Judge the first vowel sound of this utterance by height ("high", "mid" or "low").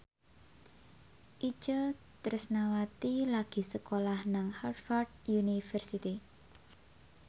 high